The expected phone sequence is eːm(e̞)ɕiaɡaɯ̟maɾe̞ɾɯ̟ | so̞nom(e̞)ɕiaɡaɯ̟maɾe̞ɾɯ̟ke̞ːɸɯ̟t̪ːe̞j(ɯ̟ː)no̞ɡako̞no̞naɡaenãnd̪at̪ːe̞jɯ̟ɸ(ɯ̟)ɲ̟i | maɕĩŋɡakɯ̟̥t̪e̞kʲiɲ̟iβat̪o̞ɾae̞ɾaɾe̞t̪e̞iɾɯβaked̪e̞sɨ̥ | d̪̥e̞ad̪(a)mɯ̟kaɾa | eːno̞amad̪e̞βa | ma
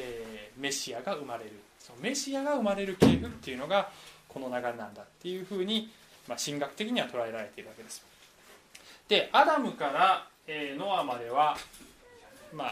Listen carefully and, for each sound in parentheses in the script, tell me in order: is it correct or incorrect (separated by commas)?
correct, correct, incorrect, incorrect, correct